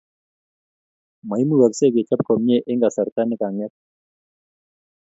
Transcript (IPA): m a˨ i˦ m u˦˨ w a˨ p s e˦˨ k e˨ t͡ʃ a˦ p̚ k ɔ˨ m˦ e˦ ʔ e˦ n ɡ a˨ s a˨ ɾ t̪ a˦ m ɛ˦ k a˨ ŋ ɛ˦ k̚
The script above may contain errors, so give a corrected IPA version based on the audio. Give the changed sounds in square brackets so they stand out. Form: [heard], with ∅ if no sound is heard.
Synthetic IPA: m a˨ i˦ m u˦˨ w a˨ [k] s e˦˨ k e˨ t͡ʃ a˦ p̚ k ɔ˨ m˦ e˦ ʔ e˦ [ŋ] ɡ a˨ s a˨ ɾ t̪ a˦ [n] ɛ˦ k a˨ ŋ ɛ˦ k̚